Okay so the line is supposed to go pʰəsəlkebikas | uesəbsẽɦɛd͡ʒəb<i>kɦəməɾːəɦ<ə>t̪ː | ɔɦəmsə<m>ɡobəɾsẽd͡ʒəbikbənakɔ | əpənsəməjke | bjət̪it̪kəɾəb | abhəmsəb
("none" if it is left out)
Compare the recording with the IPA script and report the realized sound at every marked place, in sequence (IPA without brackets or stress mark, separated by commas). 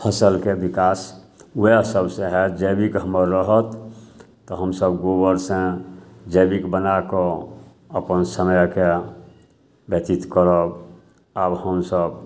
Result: i, ə, b